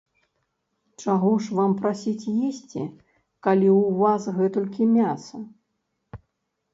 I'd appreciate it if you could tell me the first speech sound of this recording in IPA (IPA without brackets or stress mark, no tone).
t͡ʂ